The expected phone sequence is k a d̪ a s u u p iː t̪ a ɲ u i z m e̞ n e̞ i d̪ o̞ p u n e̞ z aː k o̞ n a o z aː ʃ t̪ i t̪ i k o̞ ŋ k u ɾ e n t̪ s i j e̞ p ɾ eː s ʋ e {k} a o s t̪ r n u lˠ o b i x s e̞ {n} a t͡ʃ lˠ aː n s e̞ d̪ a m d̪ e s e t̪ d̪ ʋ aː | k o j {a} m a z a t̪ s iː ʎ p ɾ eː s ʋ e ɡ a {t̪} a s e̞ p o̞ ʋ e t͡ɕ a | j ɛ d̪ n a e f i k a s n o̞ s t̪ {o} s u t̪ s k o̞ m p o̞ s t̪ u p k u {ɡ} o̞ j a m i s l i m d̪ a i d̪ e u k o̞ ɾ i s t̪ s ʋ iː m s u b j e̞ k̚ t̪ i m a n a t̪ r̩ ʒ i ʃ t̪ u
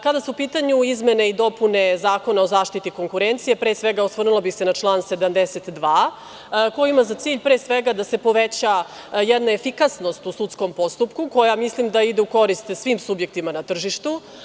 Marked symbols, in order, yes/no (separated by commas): no, yes, no, no, no, no